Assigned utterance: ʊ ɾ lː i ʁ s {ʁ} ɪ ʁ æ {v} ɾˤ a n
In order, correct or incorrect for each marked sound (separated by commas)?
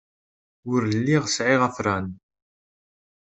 incorrect, incorrect